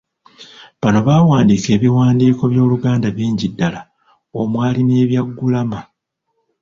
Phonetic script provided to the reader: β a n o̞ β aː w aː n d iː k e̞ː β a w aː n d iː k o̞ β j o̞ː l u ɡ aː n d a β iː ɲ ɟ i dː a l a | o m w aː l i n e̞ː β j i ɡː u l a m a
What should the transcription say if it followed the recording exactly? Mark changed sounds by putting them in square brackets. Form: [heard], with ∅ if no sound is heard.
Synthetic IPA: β a n o̞ β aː w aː n d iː k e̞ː β [i] w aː n d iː k o̞ β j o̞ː l u ɡ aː n d a β iː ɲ ɟ i dː a l a | o m w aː l i n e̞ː β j [a] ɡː u l a m a